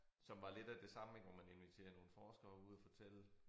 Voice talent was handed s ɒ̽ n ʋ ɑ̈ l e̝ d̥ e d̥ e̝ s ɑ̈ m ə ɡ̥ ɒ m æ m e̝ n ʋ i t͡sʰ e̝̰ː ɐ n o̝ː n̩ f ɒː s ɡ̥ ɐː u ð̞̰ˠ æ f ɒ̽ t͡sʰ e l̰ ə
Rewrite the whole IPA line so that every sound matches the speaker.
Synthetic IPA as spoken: s ɒ̽ m ʋ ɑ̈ l e̝ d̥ æ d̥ e̝ s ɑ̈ m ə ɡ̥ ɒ m æ n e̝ n ʋ i t͡sʰ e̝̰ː ɐ n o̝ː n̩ f ɒː s ɡ̥ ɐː u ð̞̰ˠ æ f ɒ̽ t͡sʰ e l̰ ə